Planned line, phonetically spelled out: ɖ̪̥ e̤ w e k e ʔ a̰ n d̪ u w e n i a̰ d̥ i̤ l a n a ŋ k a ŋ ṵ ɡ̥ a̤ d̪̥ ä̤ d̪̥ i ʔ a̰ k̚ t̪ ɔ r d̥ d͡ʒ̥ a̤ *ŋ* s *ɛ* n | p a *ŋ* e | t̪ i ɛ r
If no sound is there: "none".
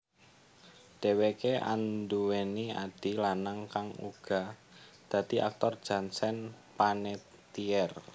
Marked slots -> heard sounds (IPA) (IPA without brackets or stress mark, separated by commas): n, ɛ, n